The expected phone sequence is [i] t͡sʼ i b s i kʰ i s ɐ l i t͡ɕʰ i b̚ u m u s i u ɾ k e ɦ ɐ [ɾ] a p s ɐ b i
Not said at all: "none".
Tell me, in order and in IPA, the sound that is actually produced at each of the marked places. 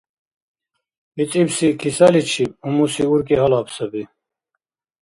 i, l

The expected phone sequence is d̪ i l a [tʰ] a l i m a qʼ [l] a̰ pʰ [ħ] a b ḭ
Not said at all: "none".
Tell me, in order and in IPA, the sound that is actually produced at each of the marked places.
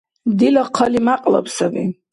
qʰ, l, s

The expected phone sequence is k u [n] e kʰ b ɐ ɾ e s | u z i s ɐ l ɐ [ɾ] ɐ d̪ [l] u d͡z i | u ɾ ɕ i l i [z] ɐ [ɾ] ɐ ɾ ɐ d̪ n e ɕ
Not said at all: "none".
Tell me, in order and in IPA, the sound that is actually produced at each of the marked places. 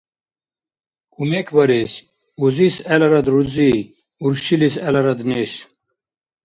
m, ɾ, ɾ, s, l

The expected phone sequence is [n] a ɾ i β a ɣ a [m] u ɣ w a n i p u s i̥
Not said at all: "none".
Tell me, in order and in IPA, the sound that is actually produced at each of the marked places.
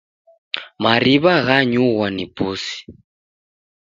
m, ɲ

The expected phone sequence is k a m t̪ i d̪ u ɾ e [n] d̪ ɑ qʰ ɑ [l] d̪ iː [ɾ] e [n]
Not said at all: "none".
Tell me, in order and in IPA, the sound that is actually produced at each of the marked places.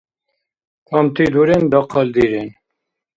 n, l, ɾ, n

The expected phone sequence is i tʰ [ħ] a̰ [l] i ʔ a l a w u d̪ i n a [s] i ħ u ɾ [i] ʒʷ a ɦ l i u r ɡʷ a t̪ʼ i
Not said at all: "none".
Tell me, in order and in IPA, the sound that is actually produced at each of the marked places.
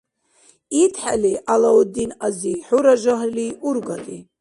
ħ, l, z, a

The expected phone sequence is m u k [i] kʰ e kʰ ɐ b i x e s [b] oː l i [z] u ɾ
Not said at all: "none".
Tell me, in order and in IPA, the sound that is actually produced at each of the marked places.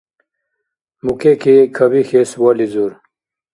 e, w, z

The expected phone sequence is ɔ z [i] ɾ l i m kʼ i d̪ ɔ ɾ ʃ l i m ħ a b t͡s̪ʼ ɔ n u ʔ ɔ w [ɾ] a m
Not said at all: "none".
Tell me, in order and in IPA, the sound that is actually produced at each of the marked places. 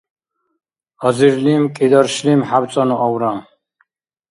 i, ɾ

